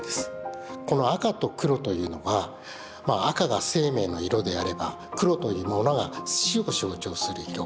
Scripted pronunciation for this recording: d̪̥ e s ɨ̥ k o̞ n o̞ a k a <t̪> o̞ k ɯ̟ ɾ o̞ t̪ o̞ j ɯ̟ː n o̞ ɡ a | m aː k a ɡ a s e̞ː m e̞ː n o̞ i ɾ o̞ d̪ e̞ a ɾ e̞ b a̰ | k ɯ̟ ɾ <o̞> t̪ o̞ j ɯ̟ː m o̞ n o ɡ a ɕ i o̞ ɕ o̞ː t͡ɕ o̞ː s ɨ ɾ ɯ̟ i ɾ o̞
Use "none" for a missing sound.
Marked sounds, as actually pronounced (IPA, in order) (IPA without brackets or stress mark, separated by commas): t̪, o̞